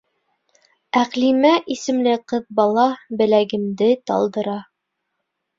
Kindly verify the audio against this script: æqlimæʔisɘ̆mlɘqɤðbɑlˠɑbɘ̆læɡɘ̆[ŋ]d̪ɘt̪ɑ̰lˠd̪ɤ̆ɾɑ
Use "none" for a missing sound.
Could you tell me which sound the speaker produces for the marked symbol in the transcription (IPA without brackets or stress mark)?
m